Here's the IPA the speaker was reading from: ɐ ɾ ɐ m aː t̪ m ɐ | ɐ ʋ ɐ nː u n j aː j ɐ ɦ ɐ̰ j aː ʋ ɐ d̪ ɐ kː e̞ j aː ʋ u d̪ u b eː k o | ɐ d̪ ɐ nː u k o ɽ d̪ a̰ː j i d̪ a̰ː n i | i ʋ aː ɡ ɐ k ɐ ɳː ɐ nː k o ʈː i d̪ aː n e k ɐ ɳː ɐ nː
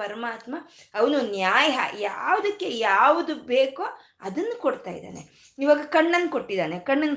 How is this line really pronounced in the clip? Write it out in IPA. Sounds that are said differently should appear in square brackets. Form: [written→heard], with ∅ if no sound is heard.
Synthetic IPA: ɐ ɾ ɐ m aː t̪ m ɐ | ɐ ʋ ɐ [nː→n] u n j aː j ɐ ɦ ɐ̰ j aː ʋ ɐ d̪ ɐ kː e̞ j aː ʋ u d̪ u b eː k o | ɐ d̪ ɐ nː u k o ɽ [d̪→t̪] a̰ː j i d̪ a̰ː n [i→e] | i ʋ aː ɡ ɐ k ɐ ɳː ɐ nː k o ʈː i d̪ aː n e k ɐ ɳː ɐ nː